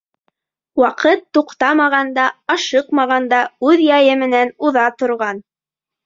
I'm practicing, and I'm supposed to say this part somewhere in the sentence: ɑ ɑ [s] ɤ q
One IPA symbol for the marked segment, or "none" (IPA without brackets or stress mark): ʃ